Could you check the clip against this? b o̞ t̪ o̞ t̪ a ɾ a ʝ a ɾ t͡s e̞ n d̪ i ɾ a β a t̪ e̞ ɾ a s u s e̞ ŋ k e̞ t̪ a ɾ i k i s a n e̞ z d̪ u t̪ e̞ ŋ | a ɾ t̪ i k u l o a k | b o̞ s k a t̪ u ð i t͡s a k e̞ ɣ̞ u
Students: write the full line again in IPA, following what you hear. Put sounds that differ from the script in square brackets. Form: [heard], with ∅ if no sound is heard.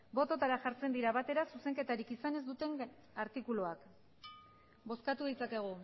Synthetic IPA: b o̞ t̪ o̞ t̪ a ɾ a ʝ a ɾ t͡s e̞ n d̪ i ɾ a β a t̪ e̞ ɾ a s u s e̞ ŋ k e̞ t̪ a ɾ i k i s a n e̞ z d̪ u t̪ e̞ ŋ | a ɾ t̪ i k u l o a k | b o̞ s k a t̪ u ð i t͡s a k e̞ ɣ̞ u